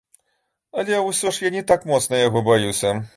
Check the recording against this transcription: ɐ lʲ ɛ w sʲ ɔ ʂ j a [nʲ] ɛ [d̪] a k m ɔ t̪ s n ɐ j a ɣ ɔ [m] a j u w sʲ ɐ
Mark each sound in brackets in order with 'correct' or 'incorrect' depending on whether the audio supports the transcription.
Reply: correct, incorrect, incorrect

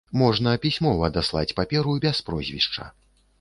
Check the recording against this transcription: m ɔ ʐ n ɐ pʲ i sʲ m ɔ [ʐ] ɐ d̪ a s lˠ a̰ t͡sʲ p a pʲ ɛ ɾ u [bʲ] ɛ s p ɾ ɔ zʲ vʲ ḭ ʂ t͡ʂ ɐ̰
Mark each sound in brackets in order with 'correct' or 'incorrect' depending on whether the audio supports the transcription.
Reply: incorrect, correct

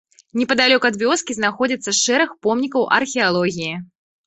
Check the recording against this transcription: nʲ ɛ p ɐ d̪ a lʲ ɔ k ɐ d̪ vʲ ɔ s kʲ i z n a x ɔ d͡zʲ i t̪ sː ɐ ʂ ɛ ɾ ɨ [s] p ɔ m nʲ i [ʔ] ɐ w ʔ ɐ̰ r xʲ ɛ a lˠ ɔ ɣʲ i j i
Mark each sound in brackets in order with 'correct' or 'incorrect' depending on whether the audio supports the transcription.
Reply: incorrect, incorrect

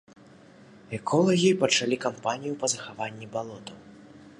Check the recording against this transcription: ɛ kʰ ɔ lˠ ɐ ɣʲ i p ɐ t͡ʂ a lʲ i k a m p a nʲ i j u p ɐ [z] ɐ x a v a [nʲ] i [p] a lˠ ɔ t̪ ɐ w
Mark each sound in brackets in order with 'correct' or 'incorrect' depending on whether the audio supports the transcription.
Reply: correct, incorrect, incorrect

